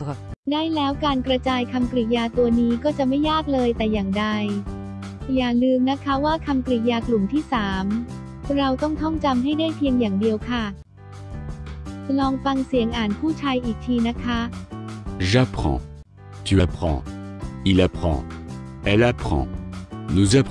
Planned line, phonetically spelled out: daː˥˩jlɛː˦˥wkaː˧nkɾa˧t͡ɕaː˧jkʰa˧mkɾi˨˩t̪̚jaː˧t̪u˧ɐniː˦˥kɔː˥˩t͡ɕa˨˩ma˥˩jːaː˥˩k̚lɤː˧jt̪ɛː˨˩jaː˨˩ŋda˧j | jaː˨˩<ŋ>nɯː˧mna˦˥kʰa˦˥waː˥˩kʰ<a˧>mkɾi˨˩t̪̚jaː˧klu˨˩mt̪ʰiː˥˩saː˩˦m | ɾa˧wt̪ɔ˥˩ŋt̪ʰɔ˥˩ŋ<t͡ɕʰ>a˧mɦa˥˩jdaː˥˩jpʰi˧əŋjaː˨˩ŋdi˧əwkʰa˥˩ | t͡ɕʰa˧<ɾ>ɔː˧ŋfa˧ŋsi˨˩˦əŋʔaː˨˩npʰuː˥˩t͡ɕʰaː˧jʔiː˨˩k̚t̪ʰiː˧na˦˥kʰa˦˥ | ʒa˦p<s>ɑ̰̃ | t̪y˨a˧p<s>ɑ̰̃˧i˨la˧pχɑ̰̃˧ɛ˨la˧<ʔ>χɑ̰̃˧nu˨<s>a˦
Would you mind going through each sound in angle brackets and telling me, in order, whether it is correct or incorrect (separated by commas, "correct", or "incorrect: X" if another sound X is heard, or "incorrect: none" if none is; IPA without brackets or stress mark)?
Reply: correct, correct, incorrect: t͡ɕ, incorrect: l, incorrect: χ, incorrect: χ, incorrect: p, incorrect: z